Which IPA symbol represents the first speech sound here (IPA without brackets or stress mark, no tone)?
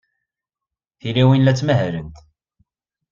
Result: θ